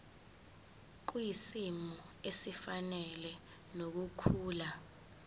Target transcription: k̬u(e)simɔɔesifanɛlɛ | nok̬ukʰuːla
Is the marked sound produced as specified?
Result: no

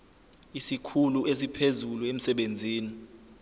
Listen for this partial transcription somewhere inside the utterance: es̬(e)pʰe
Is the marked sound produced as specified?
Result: no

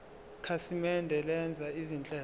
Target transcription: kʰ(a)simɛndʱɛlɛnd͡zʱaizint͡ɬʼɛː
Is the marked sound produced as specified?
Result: yes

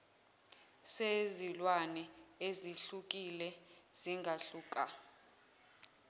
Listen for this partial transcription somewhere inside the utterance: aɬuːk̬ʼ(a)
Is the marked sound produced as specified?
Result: yes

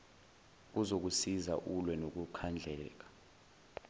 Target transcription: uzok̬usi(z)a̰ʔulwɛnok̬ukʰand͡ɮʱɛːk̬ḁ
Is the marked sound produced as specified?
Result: yes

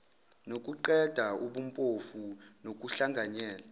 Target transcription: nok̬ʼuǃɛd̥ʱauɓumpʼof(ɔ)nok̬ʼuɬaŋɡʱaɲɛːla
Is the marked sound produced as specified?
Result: no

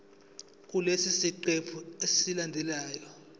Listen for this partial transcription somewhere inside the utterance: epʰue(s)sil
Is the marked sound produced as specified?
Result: yes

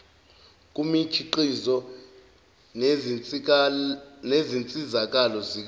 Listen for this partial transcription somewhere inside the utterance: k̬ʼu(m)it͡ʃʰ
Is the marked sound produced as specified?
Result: yes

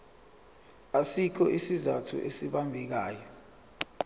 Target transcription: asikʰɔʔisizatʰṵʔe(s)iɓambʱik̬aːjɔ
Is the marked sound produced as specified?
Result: yes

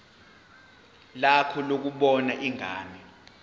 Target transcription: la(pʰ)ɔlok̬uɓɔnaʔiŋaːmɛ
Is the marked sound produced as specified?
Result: no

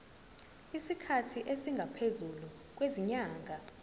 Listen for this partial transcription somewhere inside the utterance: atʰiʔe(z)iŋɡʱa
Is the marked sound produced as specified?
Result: no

